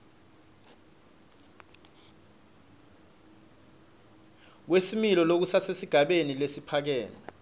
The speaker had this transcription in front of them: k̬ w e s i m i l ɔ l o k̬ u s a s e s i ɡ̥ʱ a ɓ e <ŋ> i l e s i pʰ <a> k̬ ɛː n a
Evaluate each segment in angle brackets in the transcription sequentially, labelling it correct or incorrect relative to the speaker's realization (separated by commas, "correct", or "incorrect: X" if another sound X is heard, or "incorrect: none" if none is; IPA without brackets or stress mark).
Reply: incorrect: n, correct